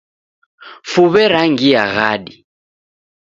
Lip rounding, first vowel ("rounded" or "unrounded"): rounded